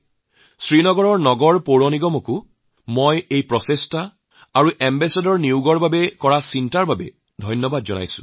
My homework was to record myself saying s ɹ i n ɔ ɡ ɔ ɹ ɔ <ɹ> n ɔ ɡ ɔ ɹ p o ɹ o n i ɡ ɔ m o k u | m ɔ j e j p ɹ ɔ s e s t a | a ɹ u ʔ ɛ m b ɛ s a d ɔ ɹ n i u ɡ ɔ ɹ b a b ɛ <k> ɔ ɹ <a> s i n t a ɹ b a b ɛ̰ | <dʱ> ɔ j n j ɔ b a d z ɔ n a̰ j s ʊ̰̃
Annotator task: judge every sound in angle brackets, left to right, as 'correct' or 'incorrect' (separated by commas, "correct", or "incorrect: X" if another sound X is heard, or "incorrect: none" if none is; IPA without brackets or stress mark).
correct, correct, correct, correct